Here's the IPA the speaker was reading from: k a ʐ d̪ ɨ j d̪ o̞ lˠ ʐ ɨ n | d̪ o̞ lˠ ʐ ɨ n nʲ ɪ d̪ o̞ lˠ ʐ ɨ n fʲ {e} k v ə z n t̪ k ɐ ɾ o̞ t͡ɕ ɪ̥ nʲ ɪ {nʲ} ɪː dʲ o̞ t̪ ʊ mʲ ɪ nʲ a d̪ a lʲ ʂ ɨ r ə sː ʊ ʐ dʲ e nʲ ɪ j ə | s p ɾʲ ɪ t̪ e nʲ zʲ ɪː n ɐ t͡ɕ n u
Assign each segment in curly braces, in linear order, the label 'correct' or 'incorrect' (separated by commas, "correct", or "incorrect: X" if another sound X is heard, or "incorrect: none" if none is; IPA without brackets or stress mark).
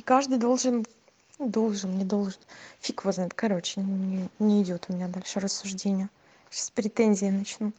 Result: incorrect: i, correct